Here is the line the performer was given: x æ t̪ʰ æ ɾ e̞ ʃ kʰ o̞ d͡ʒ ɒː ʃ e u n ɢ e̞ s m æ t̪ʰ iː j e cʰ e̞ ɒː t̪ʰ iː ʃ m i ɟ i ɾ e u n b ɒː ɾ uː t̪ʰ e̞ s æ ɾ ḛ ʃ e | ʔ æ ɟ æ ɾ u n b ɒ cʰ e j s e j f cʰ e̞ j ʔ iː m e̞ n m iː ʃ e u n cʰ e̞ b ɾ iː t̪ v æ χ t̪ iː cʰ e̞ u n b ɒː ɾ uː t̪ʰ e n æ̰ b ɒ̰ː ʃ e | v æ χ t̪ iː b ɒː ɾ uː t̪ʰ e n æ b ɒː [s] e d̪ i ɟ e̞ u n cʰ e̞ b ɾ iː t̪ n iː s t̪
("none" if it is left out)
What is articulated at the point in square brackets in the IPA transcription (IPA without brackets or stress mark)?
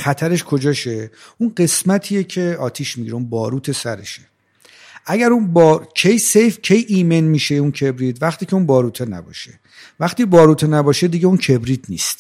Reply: ʃ